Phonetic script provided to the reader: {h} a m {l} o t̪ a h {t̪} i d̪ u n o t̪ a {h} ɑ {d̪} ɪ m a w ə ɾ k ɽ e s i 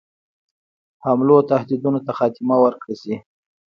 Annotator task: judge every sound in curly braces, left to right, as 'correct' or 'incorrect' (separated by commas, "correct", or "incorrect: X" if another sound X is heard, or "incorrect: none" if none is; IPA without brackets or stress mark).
correct, correct, incorrect: d̪, incorrect: x, incorrect: t̪